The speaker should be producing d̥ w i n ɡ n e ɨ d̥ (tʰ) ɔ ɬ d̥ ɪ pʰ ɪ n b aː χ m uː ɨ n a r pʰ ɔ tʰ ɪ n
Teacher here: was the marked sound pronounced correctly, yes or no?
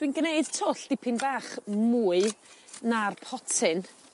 yes